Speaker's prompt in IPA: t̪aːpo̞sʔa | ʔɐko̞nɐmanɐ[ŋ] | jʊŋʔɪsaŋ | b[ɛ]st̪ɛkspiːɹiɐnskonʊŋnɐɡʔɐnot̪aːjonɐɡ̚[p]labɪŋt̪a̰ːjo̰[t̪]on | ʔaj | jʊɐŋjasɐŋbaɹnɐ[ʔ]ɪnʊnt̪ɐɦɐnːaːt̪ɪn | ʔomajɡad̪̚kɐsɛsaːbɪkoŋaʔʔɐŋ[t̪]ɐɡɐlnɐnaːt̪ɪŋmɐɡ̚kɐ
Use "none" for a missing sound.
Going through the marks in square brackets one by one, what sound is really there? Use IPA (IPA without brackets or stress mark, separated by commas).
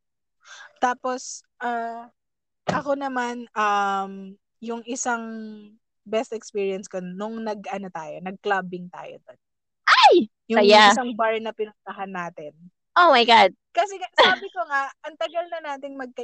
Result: m, ɛ, k, d̪, p, t̪